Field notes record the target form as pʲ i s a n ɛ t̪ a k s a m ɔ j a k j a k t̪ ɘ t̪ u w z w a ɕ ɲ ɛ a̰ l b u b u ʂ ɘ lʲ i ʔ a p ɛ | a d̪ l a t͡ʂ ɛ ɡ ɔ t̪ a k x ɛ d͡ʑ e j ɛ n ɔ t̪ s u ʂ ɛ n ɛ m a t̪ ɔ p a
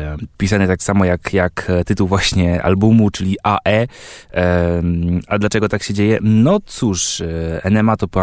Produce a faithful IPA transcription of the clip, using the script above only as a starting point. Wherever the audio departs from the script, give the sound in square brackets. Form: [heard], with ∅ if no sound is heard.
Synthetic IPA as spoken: pʲ i s a n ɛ t̪ a k s a m ɔ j a k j a k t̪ ɘ t̪ u w [v] w a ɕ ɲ ɛ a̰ l b u [m] u [t͡ʂ] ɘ lʲ i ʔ a [ʔ] ɛ | a d̪ l a t͡ʂ ɛ ɡ ɔ t̪ a k [ɕ] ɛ d͡ʑ e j ɛ n ɔ t̪ s u ʂ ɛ n ɛ m a t̪ ɔ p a